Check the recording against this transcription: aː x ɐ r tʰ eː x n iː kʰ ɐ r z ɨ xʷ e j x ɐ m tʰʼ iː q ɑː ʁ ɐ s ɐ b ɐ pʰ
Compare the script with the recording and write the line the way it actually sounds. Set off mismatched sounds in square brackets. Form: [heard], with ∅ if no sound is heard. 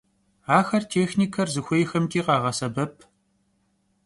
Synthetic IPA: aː x ɐ r tʰ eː x n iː kʰ ɐ r z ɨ xʷ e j x ɐ m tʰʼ iː q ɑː ʁ ɐ s ɐ b ɐ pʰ